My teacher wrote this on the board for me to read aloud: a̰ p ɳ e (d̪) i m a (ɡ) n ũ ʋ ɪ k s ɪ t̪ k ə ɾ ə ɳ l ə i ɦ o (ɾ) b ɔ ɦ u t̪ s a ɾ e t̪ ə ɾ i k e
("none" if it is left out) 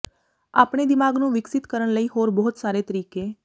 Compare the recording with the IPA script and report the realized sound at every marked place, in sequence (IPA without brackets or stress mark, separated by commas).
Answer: d̪, ɡ, ɾ